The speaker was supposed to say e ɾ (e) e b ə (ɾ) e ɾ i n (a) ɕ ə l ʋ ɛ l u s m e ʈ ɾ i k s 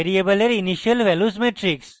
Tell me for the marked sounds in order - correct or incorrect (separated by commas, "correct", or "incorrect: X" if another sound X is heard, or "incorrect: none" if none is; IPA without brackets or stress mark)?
incorrect: i, incorrect: l, incorrect: i